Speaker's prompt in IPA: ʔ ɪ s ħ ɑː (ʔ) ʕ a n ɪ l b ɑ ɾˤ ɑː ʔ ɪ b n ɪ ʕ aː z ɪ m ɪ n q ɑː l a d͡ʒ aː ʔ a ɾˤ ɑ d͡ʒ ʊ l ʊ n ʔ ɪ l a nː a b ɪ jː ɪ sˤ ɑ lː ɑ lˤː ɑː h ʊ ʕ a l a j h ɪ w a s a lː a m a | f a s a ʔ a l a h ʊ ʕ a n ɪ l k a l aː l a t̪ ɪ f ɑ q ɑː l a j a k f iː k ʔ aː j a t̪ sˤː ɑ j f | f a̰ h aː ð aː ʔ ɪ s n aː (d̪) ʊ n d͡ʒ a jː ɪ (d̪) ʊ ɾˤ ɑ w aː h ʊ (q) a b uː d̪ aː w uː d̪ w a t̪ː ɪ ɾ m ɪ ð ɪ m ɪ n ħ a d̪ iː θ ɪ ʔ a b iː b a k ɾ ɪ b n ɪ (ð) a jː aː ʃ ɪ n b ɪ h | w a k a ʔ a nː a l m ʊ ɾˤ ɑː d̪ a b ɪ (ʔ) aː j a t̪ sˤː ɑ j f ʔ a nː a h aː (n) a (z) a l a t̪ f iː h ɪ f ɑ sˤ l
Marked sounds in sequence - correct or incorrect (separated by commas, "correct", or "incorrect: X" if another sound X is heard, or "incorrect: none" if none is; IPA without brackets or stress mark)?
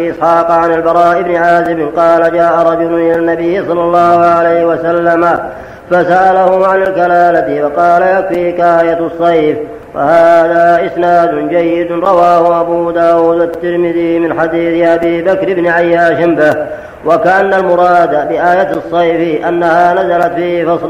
incorrect: q, correct, correct, incorrect: ʔ, incorrect: ʕ, correct, correct, correct